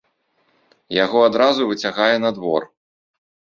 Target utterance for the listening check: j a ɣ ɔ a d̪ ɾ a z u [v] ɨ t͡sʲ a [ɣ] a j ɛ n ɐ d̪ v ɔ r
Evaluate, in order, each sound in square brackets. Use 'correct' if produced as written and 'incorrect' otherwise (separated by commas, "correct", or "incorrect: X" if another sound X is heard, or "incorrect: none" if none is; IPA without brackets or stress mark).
correct, correct